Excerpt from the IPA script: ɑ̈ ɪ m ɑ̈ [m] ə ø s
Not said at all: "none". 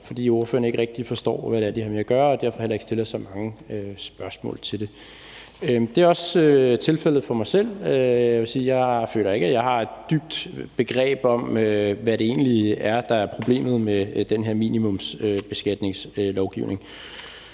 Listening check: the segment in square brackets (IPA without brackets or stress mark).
ŋ